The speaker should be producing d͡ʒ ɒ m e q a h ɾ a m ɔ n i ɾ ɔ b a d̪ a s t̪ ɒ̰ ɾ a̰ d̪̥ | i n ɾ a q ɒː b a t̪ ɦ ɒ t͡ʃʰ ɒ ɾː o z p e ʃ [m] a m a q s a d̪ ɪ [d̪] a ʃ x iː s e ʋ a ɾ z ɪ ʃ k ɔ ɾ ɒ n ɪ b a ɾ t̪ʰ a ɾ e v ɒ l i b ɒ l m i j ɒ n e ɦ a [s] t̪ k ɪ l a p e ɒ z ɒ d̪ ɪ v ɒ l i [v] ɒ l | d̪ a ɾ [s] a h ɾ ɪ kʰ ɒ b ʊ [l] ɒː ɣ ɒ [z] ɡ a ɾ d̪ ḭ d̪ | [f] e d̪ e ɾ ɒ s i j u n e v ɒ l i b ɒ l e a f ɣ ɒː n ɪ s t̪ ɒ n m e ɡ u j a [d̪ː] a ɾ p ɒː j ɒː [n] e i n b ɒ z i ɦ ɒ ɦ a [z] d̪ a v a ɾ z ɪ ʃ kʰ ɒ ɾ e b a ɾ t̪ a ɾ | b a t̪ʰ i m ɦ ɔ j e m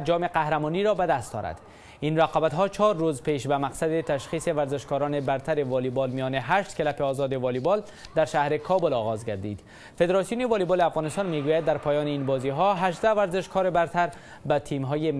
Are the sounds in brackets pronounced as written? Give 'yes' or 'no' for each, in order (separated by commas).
no, no, no, no, no, yes, yes, yes, yes, yes, no